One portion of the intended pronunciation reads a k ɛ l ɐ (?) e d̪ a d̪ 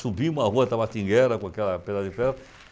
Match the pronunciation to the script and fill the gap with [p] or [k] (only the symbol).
p